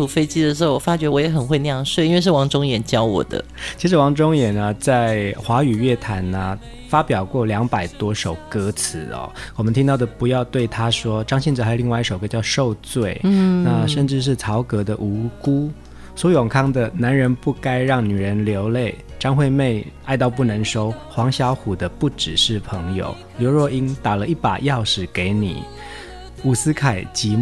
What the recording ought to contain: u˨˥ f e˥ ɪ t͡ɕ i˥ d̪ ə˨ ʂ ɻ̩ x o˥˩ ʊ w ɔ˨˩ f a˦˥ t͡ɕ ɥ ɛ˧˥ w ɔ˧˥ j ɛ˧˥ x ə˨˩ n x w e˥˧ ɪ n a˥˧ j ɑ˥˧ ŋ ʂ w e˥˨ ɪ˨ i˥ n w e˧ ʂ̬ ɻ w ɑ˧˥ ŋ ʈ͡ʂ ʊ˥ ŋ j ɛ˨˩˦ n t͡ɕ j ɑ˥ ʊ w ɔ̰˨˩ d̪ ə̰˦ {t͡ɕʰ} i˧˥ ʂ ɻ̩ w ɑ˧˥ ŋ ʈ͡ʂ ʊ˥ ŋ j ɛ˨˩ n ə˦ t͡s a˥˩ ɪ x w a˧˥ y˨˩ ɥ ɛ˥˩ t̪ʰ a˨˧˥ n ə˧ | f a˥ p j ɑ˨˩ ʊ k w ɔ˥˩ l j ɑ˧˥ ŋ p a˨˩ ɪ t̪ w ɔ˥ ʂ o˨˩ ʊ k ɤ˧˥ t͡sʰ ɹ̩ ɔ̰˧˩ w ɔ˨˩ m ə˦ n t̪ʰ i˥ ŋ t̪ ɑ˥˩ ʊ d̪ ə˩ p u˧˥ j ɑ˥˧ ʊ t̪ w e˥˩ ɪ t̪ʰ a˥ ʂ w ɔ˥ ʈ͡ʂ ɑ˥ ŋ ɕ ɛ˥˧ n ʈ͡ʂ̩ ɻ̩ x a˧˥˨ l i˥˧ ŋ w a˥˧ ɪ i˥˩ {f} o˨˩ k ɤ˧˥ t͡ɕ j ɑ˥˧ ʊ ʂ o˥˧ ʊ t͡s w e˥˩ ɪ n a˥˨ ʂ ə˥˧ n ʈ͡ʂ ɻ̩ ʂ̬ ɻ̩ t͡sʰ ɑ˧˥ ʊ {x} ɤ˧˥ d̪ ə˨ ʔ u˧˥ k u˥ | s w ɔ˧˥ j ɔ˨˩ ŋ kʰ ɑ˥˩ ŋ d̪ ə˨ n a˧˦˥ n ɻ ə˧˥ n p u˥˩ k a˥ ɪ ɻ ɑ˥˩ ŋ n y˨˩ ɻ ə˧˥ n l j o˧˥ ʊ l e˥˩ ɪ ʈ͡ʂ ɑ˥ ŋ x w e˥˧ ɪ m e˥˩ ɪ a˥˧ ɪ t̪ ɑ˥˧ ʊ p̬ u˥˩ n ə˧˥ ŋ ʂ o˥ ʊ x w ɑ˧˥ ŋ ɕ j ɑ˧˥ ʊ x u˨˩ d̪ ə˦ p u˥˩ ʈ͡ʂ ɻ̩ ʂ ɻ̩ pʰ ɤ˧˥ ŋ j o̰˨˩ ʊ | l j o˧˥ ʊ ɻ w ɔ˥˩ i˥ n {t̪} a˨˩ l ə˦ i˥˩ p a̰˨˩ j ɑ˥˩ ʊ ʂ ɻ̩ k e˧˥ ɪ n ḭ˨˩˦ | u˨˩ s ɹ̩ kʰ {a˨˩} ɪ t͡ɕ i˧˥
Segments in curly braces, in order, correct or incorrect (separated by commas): correct, incorrect, incorrect, correct, correct